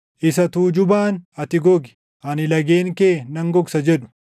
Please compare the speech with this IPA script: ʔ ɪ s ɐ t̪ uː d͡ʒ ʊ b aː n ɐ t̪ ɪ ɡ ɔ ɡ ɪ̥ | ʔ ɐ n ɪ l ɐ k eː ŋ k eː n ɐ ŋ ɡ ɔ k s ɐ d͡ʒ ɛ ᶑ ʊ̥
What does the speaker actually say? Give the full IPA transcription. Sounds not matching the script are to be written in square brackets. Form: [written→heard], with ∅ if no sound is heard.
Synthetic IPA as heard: ʔ ɪ s ɐ t̪ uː d͡ʒ ʊ b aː n ɐ t̪ ɪ ɡ ɔ ɡ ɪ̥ | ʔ ɐ n ɪ l ɐ [k→ɡ] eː ŋ k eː n ɐ ŋ ɡ ɔ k s ɐ d͡ʒ ɛ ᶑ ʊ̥